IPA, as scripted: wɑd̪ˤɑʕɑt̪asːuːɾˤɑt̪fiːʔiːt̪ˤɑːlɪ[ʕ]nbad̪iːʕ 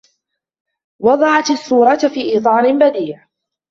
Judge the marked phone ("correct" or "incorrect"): incorrect